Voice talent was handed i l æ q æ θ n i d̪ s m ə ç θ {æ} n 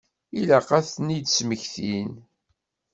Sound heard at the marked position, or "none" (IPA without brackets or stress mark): i